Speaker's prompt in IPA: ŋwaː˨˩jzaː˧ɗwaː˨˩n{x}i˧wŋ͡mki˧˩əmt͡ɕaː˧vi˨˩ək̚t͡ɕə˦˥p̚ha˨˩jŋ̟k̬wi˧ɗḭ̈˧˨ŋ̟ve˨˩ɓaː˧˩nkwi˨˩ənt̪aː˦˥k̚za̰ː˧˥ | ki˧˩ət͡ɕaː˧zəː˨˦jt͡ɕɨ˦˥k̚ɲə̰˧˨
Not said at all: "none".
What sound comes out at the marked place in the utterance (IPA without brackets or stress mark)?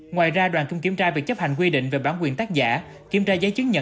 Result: k